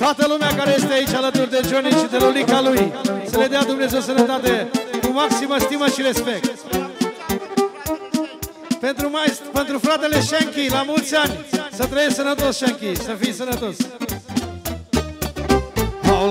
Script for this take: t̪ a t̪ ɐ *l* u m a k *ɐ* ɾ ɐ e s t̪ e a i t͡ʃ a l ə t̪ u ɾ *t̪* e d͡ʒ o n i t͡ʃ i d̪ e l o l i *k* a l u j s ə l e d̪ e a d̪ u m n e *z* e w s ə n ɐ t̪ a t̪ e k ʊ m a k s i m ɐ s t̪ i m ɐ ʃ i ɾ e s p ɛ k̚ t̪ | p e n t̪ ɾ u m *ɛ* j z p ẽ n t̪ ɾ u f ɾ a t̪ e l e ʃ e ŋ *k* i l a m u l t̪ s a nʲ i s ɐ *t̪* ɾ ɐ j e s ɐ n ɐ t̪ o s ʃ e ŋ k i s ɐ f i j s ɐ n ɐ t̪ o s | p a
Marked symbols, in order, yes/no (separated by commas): yes, no, no, yes, yes, no, yes, yes